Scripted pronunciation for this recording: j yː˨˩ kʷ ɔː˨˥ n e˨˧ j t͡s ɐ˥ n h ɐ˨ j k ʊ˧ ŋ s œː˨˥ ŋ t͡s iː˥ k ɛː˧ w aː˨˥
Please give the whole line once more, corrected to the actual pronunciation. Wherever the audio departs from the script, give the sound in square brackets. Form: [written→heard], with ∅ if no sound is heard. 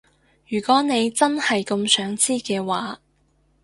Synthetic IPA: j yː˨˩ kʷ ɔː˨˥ n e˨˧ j t͡s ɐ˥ n h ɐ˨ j k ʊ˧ [ŋ→m] s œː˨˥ ŋ t͡s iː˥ k ɛː˧ w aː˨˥

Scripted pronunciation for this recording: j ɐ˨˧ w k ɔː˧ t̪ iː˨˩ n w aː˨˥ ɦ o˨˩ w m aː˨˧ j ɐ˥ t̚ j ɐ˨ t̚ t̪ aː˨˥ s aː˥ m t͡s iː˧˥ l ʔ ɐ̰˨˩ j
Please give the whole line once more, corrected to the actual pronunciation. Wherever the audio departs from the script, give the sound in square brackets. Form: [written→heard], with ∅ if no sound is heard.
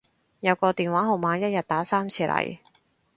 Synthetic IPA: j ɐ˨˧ w k ɔː˧ t̪ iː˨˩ n w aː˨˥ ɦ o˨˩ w m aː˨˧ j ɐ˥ t̚ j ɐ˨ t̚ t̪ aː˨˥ s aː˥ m [t͡s→t͡sʰ] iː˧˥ l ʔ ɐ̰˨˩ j

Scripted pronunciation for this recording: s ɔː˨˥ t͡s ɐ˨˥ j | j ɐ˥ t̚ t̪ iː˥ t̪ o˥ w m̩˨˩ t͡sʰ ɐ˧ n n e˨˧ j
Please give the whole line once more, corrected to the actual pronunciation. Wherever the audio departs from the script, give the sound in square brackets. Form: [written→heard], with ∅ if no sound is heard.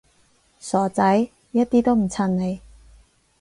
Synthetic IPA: s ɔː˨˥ t͡s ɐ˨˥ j | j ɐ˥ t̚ t̪ iː˥ t̪ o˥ w m̩˨˩ t͡sʰ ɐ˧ n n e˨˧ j

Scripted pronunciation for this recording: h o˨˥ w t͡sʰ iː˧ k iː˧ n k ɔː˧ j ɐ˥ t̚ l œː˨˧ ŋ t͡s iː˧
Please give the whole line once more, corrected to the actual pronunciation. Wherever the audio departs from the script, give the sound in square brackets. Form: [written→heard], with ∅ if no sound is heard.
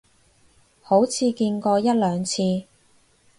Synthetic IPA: h o˨˥ w t͡sʰ iː˧ k iː˧ n k ɔː˧ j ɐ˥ t̚ l œː˨˧ ŋ [t͡s→t͡sʰ] iː˧

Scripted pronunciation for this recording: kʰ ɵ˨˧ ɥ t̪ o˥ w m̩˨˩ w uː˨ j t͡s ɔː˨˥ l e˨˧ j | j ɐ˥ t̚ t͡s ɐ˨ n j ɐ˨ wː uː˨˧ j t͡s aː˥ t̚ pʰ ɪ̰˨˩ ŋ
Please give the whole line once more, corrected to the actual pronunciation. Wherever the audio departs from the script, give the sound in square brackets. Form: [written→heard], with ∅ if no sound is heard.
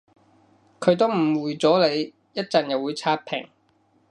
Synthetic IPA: kʰ ɵ˨˧ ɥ t̪ o˥ w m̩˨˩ w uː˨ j t͡s ɔː˨˥ l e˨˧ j | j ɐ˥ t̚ t͡s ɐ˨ n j ɐ˨ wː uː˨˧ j [t͡s→t͡sʰ] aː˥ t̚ pʰ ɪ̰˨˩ ŋ

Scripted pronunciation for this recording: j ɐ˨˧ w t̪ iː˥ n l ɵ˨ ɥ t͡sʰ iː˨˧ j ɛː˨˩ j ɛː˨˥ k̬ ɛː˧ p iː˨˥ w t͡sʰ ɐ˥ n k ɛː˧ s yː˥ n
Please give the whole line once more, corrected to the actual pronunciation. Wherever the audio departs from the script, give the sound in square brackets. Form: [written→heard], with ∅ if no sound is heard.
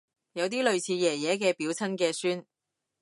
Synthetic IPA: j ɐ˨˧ w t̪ iː˥ [n→∅] l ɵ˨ ɥ t͡sʰ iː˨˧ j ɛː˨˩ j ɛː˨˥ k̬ ɛː˧ p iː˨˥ w t͡sʰ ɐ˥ n k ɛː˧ s yː˥ n

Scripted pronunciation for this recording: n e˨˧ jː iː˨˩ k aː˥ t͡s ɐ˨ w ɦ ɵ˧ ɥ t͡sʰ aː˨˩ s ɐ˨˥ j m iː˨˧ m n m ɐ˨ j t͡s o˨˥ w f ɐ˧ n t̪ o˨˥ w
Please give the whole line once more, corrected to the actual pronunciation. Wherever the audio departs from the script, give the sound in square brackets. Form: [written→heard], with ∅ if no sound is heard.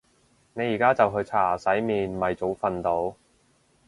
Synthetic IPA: n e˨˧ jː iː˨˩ k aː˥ t͡s ɐ˨ w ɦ ɵ˧ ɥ t͡sʰ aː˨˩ s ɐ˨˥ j m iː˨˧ [m→∅] n m ɐ˨ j t͡s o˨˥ w f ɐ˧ n t̪ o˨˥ w

